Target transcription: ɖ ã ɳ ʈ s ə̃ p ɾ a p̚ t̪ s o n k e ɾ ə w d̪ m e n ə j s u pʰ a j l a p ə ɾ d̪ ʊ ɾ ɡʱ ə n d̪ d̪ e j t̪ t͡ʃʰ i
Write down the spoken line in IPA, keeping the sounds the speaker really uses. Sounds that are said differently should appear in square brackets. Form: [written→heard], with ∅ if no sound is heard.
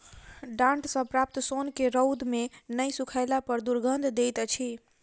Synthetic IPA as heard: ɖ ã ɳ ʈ s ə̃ p ɾ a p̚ t̪ s o n k e ɾ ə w d̪ m e n ə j s u [pʰ→kʰ] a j l a p ə ɾ d̪ [ʊ→u] ɾ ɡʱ ə n d̪ d̪ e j t̪ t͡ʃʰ i